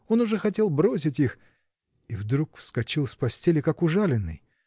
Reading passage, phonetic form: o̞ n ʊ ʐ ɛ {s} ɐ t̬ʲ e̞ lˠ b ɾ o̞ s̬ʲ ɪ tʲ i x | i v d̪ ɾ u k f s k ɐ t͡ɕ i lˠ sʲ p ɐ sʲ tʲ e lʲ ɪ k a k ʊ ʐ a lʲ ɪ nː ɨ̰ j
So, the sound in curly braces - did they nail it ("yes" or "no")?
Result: no